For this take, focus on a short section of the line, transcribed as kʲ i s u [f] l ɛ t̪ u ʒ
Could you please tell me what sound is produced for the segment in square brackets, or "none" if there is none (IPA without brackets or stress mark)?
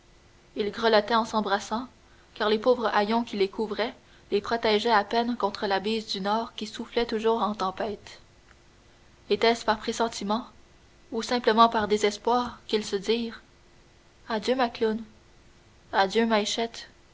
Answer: f